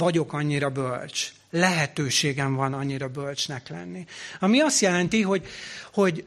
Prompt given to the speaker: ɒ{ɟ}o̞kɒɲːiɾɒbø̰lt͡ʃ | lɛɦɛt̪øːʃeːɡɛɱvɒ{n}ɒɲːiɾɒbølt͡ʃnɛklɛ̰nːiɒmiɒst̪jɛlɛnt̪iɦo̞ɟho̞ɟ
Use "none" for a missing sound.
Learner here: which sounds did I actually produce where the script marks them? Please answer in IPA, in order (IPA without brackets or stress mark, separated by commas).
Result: ɟ, n